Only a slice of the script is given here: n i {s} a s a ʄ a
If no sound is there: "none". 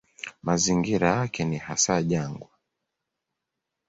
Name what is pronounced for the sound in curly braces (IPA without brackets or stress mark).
h